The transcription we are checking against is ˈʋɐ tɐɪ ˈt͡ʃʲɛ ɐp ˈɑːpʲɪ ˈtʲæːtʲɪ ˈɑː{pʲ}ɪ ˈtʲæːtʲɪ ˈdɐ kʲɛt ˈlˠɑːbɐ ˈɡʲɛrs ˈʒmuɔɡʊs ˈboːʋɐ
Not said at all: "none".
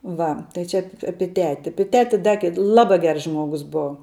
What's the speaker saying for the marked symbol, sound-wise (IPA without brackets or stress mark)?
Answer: pʲ